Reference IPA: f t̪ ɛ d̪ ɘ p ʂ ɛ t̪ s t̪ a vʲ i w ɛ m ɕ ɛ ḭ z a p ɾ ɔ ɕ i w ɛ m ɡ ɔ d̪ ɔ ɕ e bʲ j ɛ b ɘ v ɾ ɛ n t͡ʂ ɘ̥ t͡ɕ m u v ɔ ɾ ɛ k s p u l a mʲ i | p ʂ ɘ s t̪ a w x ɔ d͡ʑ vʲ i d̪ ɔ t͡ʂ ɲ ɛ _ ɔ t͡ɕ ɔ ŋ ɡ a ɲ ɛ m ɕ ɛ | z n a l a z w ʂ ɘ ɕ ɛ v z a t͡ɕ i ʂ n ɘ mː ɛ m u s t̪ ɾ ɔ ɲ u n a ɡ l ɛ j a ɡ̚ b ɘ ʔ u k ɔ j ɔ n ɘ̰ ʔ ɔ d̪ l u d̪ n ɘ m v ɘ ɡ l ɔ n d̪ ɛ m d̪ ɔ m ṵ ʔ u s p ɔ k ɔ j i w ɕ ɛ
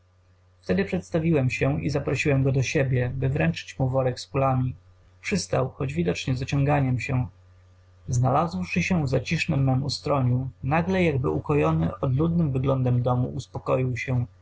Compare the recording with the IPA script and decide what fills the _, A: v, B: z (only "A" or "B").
B